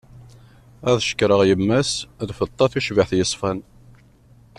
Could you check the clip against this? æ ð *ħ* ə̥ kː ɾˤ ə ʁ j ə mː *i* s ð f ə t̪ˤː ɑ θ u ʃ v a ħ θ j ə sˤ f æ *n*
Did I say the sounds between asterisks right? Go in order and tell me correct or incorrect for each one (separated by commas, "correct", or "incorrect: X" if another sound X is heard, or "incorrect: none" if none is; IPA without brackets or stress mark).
incorrect: ʃ, incorrect: æ, correct